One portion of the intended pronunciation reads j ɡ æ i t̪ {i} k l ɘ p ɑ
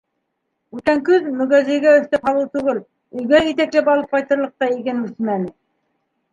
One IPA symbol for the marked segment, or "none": æ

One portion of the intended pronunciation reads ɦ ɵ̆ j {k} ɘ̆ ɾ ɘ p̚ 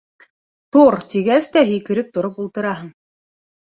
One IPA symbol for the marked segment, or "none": k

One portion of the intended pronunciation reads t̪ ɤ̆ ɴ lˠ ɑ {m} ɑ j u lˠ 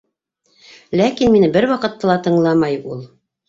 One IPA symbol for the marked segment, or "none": m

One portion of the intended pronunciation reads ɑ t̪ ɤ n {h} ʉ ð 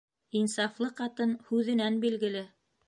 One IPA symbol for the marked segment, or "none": h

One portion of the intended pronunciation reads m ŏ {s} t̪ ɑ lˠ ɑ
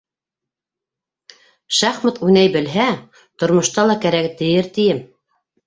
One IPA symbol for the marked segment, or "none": ʃ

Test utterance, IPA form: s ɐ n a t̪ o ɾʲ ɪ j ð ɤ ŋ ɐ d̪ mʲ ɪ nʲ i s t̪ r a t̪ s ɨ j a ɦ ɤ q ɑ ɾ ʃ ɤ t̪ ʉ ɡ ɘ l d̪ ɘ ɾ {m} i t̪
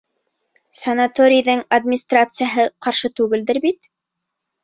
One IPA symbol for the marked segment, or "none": b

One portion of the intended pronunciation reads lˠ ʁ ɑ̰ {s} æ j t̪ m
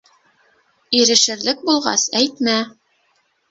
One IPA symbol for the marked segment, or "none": s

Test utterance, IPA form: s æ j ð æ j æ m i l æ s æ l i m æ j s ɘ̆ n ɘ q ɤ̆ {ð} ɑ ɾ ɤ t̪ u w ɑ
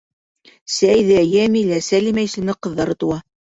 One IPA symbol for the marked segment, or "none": ðː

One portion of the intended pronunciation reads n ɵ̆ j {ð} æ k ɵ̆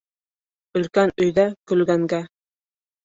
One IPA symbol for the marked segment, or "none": ð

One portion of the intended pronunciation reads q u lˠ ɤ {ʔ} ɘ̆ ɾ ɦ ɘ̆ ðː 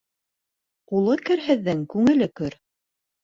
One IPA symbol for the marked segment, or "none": k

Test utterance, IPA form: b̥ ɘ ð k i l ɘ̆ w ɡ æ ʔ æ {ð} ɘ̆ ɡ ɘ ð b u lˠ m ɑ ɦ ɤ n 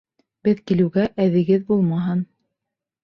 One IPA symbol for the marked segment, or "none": ð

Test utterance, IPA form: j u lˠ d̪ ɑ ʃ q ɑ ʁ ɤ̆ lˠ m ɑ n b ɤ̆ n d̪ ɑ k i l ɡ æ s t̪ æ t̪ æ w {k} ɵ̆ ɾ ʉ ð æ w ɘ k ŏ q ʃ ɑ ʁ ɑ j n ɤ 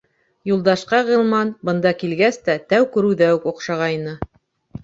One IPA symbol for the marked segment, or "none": k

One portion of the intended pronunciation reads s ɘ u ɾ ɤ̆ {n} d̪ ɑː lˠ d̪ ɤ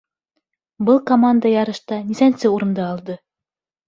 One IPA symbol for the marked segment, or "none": n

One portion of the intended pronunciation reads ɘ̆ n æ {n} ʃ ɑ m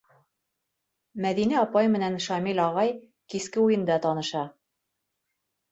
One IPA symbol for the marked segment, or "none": n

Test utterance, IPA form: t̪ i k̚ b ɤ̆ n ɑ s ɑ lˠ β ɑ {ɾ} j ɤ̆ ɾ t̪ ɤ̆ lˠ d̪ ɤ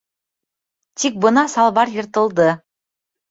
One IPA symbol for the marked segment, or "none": ɾ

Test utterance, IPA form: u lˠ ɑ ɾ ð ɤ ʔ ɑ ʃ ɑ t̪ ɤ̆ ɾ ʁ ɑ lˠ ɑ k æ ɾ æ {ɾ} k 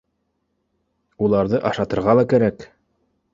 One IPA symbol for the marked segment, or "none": none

